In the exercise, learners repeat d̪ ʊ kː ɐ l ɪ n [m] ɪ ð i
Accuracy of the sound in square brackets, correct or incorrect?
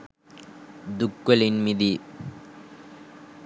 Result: correct